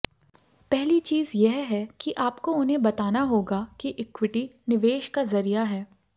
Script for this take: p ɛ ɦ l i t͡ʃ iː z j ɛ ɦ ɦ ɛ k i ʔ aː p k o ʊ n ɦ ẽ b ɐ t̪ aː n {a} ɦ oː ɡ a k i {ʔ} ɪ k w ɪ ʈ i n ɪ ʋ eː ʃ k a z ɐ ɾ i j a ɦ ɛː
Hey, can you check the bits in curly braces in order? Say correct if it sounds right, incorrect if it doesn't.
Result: correct, correct

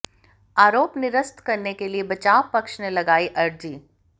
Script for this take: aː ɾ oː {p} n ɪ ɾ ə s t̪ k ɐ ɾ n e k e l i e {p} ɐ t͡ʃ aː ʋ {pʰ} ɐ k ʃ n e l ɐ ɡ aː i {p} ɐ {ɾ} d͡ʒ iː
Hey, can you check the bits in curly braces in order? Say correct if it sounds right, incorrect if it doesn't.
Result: correct, incorrect: b, incorrect: p, incorrect: ʔ, correct

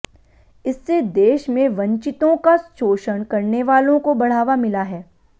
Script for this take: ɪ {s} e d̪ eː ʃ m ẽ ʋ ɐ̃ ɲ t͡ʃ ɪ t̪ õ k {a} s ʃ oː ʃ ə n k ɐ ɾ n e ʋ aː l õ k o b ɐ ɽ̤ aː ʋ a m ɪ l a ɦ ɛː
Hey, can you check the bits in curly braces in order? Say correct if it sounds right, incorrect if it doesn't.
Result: incorrect: sː, correct

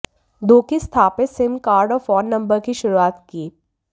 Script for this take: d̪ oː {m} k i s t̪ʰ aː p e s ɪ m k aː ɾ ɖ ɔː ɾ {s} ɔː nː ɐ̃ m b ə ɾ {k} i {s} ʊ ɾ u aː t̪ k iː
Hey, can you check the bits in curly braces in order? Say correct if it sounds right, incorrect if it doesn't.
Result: incorrect: none, incorrect: f, correct, incorrect: ʃ

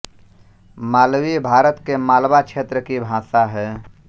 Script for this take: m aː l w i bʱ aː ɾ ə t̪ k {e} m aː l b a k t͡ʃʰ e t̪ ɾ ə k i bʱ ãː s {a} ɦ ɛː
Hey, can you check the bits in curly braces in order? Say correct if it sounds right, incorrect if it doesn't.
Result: correct, correct

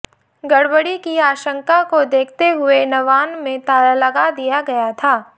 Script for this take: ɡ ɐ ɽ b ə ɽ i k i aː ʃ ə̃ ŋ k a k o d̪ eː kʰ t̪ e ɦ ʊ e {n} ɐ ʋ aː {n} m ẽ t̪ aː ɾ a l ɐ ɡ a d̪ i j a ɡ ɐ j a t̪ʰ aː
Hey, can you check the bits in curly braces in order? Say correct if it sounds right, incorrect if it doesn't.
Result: correct, correct

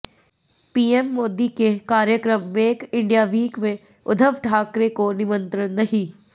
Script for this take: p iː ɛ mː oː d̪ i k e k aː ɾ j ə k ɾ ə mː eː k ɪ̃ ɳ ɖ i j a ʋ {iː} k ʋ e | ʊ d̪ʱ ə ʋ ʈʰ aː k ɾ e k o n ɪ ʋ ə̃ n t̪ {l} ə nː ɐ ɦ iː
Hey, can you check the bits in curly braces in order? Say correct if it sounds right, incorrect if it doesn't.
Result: correct, incorrect: ɾ

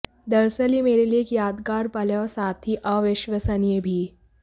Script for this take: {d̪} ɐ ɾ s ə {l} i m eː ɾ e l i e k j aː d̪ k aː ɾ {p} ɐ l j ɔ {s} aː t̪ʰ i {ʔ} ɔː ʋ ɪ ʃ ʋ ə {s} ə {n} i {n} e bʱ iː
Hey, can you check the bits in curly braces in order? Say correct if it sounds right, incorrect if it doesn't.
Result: correct, correct, correct, correct, correct, correct, correct, incorrect: none

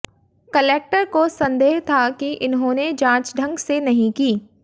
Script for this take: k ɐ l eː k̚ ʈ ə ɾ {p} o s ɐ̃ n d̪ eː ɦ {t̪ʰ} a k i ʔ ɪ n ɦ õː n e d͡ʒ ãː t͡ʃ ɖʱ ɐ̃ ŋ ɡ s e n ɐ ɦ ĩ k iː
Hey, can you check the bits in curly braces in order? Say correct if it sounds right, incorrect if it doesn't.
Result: incorrect: k, correct

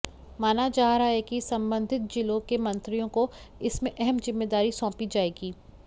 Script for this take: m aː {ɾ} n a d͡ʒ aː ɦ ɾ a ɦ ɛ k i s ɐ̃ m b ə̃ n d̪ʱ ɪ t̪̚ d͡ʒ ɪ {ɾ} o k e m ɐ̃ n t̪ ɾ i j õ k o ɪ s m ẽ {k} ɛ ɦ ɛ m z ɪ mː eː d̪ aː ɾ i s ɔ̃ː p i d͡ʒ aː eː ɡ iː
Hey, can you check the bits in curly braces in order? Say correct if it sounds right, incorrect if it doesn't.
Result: incorrect: none, incorrect: l, incorrect: ʔ

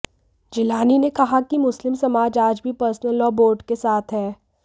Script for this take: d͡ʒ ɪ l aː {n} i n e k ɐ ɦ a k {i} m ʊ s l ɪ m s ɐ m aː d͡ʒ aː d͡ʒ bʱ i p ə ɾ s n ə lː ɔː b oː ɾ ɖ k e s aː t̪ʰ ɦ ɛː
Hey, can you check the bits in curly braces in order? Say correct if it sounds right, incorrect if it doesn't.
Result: correct, correct

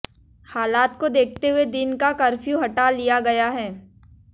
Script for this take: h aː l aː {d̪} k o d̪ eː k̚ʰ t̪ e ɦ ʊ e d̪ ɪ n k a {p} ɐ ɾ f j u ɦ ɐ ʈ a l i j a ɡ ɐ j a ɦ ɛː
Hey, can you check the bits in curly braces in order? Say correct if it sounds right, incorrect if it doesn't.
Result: incorrect: t̪, incorrect: k

